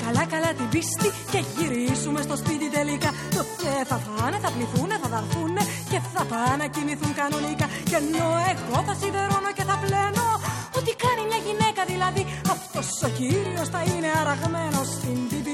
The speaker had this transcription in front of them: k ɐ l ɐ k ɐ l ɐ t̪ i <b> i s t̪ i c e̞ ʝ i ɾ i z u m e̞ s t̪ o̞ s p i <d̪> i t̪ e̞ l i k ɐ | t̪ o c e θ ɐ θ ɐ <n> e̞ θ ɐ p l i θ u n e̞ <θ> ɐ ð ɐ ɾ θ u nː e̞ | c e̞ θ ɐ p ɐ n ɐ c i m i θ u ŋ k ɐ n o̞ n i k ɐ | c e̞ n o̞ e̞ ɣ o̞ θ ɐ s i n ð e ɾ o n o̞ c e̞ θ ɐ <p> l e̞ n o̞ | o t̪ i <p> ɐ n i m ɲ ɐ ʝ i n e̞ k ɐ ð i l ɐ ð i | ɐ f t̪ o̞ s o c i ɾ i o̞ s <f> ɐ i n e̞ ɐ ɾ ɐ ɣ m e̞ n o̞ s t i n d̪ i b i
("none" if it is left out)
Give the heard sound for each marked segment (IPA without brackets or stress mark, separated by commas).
b, t̪, n, θ, p, k, θ